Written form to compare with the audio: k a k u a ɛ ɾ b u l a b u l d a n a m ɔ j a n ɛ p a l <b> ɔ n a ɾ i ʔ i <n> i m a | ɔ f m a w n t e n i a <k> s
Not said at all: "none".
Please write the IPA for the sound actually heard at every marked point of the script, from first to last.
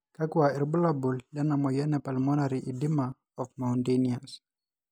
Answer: m, d, none

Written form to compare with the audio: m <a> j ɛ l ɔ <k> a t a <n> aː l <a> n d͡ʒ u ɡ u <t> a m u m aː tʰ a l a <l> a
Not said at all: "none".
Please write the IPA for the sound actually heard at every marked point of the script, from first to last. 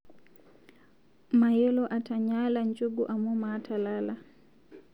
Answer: a, ʔ, ɲ, a, ʔ, l

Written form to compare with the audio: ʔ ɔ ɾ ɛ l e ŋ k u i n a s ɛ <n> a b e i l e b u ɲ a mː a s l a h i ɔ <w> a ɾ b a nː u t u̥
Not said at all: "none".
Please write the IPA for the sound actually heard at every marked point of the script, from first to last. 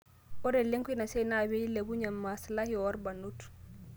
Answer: n, w

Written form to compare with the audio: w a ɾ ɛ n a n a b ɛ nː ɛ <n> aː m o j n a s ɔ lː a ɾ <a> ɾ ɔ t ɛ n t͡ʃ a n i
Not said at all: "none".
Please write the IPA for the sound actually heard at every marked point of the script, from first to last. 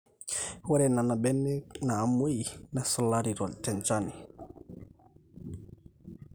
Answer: n, i

